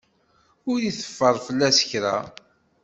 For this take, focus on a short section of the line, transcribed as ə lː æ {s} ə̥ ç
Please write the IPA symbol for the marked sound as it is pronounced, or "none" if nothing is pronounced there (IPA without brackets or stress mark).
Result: s